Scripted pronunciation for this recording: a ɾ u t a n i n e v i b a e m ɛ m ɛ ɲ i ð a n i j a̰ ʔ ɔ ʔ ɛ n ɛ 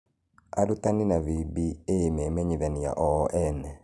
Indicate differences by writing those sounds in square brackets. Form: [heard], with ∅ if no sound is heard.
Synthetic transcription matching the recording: a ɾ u t a n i n [a] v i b [i] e m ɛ m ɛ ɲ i ð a n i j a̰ ʔ ɔ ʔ ɛ n ɛ